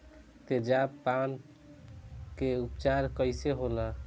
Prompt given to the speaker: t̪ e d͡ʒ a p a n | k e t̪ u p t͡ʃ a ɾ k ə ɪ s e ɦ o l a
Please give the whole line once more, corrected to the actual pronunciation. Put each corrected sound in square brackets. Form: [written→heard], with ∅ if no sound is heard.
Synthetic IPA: t̪ e d͡ʒ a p a n | k e [t̪→∅] u p t͡ʃ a ɾ k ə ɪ s e ɦ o l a